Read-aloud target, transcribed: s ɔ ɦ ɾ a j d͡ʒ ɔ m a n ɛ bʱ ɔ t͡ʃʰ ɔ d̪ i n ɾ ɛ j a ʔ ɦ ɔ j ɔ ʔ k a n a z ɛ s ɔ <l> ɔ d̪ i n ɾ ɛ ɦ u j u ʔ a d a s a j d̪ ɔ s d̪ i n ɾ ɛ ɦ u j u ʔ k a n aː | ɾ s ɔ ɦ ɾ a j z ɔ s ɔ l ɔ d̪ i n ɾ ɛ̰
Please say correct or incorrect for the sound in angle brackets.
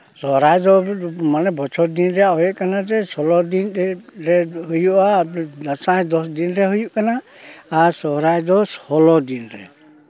correct